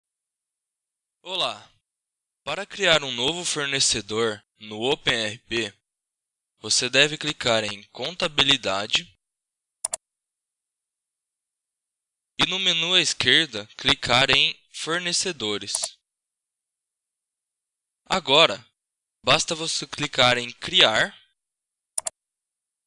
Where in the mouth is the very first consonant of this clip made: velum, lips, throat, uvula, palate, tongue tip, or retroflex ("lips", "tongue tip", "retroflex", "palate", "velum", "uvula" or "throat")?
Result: tongue tip